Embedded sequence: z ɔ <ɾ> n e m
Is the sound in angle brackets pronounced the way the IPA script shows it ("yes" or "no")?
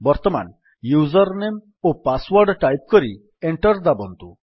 yes